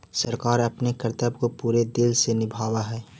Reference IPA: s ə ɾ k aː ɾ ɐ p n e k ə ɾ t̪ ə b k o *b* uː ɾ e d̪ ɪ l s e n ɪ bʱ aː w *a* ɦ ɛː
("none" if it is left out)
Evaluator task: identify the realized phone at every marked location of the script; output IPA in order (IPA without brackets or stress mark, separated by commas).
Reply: p, a